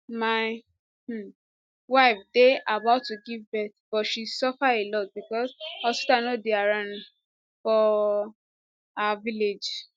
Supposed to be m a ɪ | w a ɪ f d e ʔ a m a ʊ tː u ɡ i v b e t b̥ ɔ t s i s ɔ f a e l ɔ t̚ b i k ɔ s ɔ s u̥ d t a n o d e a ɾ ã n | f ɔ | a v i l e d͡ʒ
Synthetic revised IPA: m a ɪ | w a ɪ f d e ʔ a b a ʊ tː u ɡ i v b ɛ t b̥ ɔ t ʃ i s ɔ f a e l ɔ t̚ b i k ɔ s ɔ s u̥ t a n o d e a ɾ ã n | f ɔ | a v i l e d͡ʒ